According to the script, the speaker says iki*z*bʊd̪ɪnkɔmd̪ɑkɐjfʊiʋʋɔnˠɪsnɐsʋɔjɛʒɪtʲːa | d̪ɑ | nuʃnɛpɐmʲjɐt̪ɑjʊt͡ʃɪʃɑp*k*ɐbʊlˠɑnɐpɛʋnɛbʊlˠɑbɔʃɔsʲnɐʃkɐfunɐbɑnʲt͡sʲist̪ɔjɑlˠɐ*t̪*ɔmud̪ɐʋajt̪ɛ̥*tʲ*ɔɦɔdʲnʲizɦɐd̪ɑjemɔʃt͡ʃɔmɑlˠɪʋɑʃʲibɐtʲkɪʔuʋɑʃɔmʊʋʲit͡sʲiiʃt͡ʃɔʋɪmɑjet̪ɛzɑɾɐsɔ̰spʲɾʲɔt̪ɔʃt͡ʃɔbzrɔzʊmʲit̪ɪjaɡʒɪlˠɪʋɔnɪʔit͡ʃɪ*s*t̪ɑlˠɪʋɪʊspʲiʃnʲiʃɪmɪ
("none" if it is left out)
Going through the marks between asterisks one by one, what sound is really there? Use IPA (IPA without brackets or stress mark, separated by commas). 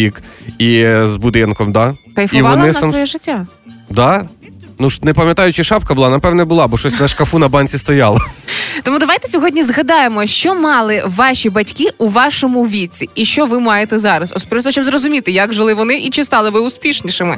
z, k, t̪, sʲ, s